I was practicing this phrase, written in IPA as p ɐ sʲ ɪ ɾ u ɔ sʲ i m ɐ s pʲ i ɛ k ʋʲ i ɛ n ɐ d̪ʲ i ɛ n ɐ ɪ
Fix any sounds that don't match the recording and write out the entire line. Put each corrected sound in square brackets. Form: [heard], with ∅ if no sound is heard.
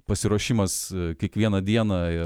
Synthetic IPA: p ɐ sʲ ɪ ɾ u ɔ [ʃʲ] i m ɐ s [kʲ] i ɛ k ʋʲ i ɛ n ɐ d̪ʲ i ɛ n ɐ ɪ